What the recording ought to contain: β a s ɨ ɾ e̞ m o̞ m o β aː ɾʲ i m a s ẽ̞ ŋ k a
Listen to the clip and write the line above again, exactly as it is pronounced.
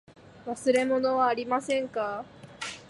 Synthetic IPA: β a s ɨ ɾ e̞ m o̞ n o β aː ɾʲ i m a s ẽ̞ ŋ k a